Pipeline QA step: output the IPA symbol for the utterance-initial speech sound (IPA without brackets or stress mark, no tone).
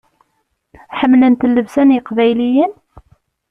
ħ